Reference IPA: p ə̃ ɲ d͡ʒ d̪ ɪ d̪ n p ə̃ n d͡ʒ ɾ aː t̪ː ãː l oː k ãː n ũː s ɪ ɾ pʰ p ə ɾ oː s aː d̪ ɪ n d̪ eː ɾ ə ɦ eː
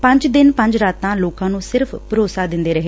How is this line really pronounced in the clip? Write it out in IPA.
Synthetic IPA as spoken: p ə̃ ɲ d͡ʒ d̪ ɪ n p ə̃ ɲ d͡ʒ ɾ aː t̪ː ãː l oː k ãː n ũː s ɪ ɾ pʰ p ə ɾ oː s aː d̪ ɪ n d̪ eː ɾ ə ɦ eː